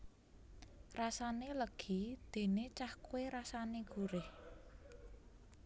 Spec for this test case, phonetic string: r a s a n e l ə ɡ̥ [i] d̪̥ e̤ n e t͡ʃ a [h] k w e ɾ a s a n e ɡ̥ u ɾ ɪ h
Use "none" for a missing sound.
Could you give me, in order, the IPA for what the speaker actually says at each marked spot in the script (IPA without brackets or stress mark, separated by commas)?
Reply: i, h